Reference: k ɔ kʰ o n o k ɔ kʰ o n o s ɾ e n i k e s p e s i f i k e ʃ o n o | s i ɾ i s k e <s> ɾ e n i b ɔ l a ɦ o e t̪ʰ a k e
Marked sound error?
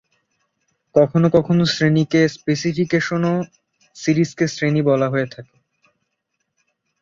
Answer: no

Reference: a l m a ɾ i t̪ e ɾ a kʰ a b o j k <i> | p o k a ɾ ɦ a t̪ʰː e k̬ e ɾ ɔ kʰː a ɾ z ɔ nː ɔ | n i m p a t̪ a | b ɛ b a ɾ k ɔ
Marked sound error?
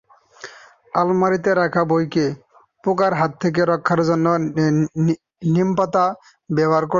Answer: yes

